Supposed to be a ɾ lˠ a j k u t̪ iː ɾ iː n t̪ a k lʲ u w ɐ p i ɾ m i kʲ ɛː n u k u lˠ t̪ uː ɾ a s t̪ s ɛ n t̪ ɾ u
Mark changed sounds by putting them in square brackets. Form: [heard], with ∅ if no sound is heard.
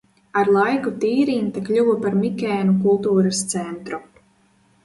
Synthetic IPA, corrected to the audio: a ɾ lˠ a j k u t̪ iː ɾ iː n t̪ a k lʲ u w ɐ p [a] ɾ m i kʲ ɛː n u k u lˠ t̪ uː ɾ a s t̪ s ɛ n t̪ ɾ u